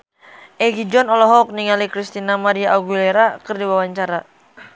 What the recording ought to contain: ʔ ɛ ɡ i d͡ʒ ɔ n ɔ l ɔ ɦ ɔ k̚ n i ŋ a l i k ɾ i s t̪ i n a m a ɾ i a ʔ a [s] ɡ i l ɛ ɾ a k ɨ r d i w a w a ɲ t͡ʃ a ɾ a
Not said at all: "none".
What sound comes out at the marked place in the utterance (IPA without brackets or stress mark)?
none